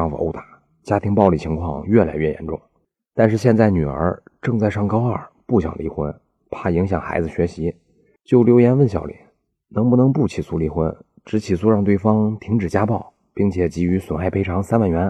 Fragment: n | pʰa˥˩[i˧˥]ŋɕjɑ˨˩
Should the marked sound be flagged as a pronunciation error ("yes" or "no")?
no